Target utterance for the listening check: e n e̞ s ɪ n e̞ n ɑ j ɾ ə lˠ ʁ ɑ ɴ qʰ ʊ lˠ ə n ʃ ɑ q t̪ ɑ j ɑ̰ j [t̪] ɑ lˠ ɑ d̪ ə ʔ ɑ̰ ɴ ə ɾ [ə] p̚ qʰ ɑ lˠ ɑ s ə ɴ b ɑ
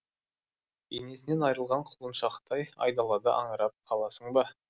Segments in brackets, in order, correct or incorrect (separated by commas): incorrect, incorrect